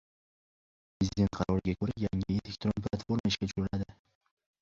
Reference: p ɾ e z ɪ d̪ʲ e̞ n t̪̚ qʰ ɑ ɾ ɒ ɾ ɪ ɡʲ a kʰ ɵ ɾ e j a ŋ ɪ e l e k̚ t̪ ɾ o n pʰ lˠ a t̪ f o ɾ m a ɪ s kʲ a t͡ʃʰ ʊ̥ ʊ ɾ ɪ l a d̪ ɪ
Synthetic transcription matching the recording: p ɾ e z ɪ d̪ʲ e̞ n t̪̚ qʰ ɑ ɾ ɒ ɾ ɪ ɡʲ a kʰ ɵ ɾ a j a ŋ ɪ e l e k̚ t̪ ɾ o n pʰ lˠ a t̪ f o ɾ m a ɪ ʃ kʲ a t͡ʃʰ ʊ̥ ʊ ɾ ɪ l a d̪ ɪ

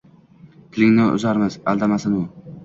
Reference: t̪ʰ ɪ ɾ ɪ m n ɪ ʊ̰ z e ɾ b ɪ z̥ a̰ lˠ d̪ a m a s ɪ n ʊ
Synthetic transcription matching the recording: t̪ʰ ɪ l ɪ ŋ n ɪ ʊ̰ z a ɾ m ɪ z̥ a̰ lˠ d̪ a m a s ɪ n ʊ

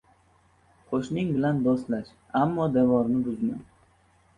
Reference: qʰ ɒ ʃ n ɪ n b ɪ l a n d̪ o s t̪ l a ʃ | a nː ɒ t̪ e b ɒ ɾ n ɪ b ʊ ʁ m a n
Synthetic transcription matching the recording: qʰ o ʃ n ɪ ŋ b ɪ l a n d̪ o s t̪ l a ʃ | a mː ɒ d̪ e v ɒ ɾ n ɪ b ʊ z m a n

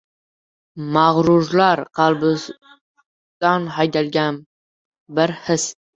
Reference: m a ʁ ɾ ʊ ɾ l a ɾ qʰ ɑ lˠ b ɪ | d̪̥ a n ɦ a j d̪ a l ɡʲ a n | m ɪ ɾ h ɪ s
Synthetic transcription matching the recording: m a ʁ ɾ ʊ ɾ l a ɾ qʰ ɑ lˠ b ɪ | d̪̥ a n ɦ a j d̪ a l ɡʲ a n | b ɪ ɾ h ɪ s

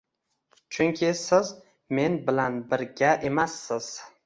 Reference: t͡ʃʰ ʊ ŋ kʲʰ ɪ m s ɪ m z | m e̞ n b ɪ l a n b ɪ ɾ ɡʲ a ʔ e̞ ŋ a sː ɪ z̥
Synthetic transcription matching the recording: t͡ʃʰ ʊ ŋ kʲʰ ɪ s ɪ z | m e̞ n b ɪ l a n b ɪ ɾ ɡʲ a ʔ e̞ m a sː ɪ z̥

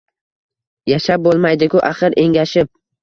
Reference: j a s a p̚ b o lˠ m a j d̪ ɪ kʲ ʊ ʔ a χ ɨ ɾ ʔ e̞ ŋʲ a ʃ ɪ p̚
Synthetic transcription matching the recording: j a ʃ a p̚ b o lˠ m a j d̪ ɪ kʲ ʊ ʔ a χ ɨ ɾ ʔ e̞ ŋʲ a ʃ ɪ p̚

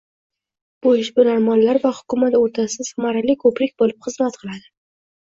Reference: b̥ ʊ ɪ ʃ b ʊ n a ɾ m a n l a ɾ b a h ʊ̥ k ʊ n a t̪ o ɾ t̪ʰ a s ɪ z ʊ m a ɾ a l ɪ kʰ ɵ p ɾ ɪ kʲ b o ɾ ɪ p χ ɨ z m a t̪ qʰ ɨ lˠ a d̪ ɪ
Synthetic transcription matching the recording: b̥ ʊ ɪ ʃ b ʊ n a ɾ m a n l a ɾ v a h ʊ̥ k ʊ m a t̪ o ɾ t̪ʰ a s ɪ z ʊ m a ɾ a l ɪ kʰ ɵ p ɾ ɪ kʲ b o l ɪ p χ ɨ z m a t̪ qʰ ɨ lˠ a d̪ ɪ

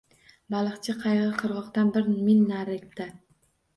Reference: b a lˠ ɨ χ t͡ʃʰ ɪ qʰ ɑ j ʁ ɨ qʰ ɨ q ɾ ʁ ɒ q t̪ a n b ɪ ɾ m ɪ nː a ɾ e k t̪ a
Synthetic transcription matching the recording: b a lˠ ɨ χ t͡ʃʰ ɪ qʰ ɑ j ʁ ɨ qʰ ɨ ɾ ʁ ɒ q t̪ a n b ɪ ɾ m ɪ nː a ɾ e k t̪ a

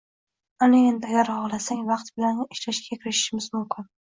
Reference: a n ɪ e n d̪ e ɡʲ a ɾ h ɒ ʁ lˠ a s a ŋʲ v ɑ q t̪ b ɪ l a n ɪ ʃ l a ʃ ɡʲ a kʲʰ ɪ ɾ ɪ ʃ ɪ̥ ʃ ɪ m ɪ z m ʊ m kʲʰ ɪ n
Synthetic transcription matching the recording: a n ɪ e n d̪ a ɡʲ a ɾ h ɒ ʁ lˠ a s a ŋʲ v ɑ q t̪ b ɪ l a n ɪ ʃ l a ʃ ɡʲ a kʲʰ ɪ ɾ ɪ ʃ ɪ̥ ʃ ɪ m ɪ z m ʊ m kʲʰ ɪ n

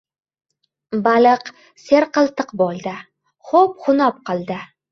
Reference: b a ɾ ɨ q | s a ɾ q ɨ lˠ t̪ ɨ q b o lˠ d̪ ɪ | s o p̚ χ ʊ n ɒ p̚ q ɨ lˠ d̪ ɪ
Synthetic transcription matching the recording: b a l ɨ q | s e ɾ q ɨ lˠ t̪ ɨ q b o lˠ d̪ ɪ | χ o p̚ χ ʊ n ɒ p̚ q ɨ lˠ d̪ ɪ

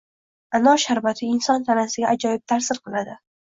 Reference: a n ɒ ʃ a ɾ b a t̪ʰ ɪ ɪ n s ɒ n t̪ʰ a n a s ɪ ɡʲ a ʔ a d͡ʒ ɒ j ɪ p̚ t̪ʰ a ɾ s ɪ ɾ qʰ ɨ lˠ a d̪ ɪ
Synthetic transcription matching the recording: a n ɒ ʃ a ɾ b a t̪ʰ ɪ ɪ n s ɒ n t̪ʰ a n a s ɪ ɡʲ a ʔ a d͡ʒ ɒ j ɪ p̚ t̪ʰ a ɾ s ɪ ɾ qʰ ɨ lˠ a d̪ ɪ

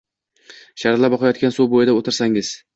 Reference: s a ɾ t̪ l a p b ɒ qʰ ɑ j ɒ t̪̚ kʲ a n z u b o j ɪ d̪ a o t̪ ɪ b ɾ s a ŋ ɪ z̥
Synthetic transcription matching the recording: ʃ a ɾ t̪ l a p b ɒ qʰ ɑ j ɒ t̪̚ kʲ a n s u b o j ɪ d̪ a o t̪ ɪ ɾ s a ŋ ɪ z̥

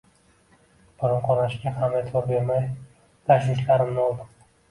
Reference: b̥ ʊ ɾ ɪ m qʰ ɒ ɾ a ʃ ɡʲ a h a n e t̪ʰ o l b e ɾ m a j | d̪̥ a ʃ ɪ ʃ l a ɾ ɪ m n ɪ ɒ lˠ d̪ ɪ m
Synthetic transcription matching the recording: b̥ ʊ ɾ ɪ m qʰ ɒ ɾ a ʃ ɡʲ a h a m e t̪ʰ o ɾ b e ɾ m a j | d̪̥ a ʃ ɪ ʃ l a ɾ ɪ m n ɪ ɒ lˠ d̪ ɪ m

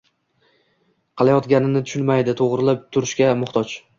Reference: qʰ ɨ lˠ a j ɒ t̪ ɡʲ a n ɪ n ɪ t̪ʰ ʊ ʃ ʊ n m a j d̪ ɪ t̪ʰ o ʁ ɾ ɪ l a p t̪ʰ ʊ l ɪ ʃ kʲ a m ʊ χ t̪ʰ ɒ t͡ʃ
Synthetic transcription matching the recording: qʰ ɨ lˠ a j ɒ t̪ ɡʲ a n ɪ n ɪ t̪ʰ ʊ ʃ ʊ n m a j d̪ ɪ t̪ʰ o ʁ ɾ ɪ l a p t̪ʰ ʊ ɾ ɪ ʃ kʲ a m ʊ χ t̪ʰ ɒ t͡ʃ

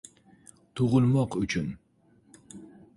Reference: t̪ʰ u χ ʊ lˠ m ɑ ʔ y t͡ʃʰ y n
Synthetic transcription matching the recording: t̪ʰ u ʁ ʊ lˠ m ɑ q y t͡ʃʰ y n

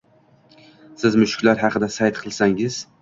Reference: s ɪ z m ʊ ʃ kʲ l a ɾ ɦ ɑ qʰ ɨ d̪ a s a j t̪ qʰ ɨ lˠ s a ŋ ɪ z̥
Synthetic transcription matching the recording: s ɪ z m ʊ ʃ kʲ l a ɾ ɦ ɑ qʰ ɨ d̪ a s a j t̪ qʰ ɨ lˠ s a ŋ ɪ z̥

